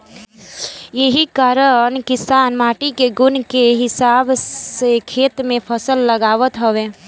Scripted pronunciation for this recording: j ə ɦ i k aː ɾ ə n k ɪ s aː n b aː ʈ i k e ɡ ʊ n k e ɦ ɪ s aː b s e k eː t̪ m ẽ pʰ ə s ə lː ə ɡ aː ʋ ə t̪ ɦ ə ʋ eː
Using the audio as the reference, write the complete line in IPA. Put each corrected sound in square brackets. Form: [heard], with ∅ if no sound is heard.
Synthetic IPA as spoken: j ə ɦ i k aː ɾ ə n k ɪ s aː n [m] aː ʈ i k e ɡ ʊ n k e ɦ ɪ s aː b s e [kʰ] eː t̪ m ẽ pʰ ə s ə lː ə ɡ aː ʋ ə t̪ ɦ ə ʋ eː